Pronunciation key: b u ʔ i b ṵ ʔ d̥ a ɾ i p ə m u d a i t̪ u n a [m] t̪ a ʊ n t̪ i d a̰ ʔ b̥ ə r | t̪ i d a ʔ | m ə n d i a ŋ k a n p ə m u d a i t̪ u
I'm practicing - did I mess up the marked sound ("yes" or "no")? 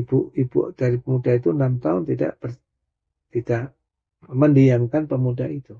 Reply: no